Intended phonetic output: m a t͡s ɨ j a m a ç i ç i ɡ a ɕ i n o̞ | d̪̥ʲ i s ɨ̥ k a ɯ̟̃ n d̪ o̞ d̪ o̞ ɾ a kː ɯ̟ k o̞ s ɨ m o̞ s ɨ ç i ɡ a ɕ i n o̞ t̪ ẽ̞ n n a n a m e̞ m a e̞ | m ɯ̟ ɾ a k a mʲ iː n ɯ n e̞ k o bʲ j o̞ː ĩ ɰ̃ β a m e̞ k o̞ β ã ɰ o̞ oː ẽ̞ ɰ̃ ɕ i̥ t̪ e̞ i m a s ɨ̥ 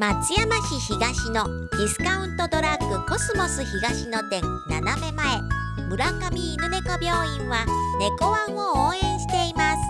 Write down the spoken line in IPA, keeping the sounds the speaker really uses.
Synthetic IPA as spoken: m a t͡s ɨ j a m a ç i ç i ɡ a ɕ i n o̞ | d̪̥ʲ i s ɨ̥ k a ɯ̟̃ n t̪ o̞ d̪ o̞ ɾ a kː ɯ̟ k o̞ s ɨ m o̞ s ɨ ç i ɡ a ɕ i n o̞ t̪ ẽ̞ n n a n a m e̞ m a e̞ | m ɯ̟ ɾ a k a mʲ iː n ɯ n e̞ k o bʲ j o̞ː ĩ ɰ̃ β a n e̞ k o̞ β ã ɰ o̞ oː ẽ̞ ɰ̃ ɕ i̥ t̪ e̞ i m a s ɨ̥